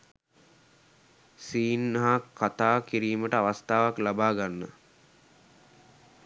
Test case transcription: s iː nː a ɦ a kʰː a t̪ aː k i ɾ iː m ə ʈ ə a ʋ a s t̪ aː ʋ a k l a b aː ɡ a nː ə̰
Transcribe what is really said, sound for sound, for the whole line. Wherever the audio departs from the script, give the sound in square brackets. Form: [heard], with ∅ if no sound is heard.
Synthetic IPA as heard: s iː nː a ɦ a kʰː a t̪ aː k i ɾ iː m ə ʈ ə a ʋ a s t̪ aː ʋ a k l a b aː ɡ a nː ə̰